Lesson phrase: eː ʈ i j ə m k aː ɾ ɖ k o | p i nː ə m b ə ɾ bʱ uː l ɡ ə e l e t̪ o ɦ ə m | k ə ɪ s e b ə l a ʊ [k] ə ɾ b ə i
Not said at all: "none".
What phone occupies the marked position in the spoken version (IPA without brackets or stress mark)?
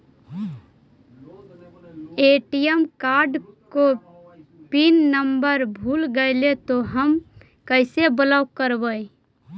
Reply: k